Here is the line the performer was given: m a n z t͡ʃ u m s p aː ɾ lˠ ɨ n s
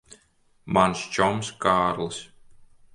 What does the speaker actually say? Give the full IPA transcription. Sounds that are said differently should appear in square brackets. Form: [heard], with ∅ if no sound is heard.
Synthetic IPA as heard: m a n [s] t͡ʃ [ɔ] m s [k] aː ɾ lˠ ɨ [∅] s

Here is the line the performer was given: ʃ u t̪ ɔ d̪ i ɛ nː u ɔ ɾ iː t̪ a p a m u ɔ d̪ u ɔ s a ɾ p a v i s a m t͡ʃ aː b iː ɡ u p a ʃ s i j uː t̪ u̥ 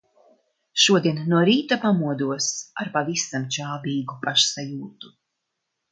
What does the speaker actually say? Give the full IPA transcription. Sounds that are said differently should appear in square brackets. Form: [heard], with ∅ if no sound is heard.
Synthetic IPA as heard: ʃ u [∅] ɔ d̪ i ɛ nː u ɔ ɾ iː t̪ a p a m u ɔ d̪ u ɔ s a ɾ p a v i s a m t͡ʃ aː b iː ɡ u p a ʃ s [a] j uː t̪ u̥

